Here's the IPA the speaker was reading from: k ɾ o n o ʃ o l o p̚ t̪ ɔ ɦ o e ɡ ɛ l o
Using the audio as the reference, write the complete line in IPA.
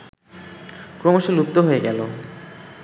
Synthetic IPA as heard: k ɾ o m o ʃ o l u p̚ t̪ o ɦ o e ɡ ɛ l o